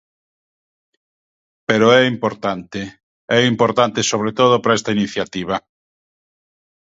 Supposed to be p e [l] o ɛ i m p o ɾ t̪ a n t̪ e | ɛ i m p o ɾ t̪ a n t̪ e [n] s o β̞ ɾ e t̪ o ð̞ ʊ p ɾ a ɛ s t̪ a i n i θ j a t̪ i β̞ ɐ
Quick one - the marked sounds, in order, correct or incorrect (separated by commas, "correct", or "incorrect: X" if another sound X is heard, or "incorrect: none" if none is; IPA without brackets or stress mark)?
incorrect: ɾ, incorrect: none